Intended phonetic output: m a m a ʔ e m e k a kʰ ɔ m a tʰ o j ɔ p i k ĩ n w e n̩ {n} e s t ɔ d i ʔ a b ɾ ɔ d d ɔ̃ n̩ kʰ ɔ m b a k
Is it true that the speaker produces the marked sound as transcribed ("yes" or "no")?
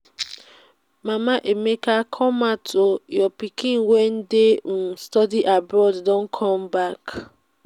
no